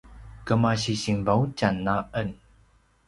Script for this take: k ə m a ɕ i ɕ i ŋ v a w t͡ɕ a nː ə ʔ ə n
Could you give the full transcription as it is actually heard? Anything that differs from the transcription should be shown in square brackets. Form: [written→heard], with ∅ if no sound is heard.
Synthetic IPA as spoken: k ə m a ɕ i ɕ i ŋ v a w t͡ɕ a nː [ə→a] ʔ ə n